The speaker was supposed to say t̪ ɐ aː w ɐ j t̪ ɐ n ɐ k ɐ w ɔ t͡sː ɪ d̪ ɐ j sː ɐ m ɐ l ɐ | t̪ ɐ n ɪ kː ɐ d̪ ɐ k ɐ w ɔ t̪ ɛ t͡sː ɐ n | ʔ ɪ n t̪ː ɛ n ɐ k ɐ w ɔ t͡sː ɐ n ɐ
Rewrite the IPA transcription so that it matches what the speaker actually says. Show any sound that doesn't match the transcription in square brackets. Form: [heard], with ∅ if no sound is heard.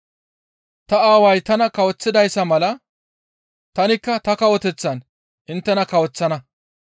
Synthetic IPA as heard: t̪ ɐ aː w ɐ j t̪ ɐ n ɐ k ɐ w ɔ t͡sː ɪ d̪ ɐ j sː ɐ m ɐ l ɐ | t̪ ɐ n ɪ kː ɐ [t̪] ɐ k ɐ w ɔ t̪ ɛ t͡sː ɐ n | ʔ ɪ n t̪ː ɛ n ɐ k ɐ w ɔ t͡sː ɐ n ɐ